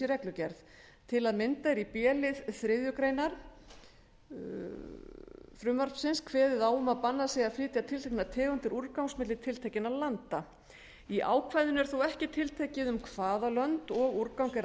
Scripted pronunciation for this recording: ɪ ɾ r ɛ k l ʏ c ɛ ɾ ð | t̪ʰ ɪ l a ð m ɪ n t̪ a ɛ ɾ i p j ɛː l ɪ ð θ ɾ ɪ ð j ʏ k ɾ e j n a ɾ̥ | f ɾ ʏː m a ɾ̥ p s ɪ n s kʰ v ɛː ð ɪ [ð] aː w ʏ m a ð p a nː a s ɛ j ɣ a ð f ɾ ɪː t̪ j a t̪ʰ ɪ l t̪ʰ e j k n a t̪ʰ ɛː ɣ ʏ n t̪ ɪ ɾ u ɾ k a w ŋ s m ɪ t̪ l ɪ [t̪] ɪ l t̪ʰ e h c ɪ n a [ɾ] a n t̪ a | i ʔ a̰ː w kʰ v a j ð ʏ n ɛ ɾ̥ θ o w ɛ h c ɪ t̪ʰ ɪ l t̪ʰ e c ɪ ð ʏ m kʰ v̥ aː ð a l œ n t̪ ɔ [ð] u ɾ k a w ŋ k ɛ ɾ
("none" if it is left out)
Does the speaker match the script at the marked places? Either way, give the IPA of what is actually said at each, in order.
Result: ð, t̪ʰ, l, ɣ

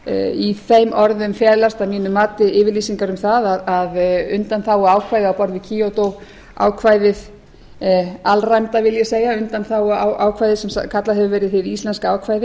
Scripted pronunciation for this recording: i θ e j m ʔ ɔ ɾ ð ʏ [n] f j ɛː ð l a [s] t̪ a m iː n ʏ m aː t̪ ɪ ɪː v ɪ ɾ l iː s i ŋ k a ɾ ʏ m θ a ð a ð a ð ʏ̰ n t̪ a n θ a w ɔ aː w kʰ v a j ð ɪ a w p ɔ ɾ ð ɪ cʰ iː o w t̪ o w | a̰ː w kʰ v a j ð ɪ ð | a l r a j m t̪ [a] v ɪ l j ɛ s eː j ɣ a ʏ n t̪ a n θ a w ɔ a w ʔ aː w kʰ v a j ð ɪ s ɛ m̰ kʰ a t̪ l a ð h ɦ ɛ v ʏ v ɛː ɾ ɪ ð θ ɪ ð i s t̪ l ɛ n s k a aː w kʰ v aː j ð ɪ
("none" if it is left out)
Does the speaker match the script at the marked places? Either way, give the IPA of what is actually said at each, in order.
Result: m, s, a

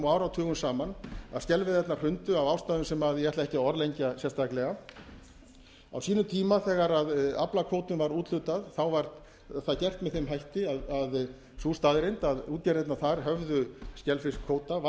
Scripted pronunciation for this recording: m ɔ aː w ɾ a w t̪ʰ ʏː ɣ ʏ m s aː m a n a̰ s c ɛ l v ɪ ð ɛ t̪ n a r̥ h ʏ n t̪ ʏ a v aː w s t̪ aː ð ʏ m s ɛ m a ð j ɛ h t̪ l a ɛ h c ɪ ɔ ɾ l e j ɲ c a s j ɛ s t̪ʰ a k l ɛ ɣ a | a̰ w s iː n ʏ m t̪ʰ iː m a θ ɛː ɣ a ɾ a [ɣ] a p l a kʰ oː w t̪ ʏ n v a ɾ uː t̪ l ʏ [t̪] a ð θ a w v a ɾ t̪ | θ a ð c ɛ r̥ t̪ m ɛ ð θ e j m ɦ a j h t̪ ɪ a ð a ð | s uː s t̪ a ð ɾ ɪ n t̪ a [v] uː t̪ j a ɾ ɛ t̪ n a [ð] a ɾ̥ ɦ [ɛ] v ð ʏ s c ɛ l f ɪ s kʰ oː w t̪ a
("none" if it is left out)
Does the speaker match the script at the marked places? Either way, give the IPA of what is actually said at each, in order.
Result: ð, t̪, ð, θ, œ

